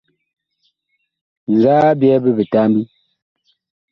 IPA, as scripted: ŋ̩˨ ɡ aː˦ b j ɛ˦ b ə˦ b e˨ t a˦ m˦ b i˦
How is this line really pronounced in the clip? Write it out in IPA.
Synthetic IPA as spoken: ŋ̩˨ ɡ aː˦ b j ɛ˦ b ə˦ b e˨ t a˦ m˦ b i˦